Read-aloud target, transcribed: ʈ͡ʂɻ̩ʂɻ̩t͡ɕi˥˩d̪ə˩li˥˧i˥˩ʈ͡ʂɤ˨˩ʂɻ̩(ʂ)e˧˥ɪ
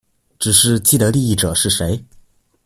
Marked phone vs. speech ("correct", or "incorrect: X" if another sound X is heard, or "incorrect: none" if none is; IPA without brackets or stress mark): correct